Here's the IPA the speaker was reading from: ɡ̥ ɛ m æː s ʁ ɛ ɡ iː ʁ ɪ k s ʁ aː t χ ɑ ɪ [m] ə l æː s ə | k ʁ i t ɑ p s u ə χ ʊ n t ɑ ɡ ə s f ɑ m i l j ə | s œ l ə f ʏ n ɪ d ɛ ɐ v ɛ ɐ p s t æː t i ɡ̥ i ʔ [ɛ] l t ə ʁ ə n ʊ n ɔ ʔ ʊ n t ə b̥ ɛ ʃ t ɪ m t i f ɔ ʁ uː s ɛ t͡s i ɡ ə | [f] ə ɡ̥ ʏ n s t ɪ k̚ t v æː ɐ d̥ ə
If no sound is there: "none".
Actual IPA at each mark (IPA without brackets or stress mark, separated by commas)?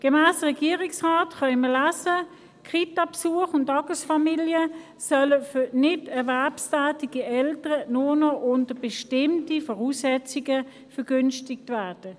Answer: m, ɛ, f